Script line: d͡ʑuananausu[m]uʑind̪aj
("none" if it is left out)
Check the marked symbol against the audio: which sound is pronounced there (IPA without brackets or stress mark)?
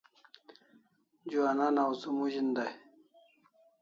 m